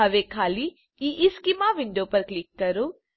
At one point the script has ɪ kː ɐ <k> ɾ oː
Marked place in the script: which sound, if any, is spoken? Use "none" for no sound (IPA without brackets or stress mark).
none